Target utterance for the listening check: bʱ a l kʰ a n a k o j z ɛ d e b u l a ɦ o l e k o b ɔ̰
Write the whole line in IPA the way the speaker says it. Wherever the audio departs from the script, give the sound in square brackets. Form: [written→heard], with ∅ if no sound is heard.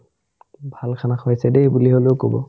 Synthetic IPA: bʱ a l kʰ a n a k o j [z→s] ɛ d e b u l [a→i] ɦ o l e k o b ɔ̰